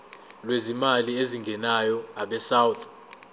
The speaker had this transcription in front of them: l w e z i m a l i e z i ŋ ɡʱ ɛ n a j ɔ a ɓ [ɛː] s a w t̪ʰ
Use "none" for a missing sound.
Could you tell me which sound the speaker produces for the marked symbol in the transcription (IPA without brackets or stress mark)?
ɛ